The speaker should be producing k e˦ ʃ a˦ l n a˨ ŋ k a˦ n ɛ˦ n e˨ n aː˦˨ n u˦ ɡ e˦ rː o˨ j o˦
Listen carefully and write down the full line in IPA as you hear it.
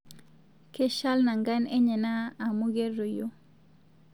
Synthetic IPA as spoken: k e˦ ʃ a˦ l n a˨ ŋ ɡ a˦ n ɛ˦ ɲ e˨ n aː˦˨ m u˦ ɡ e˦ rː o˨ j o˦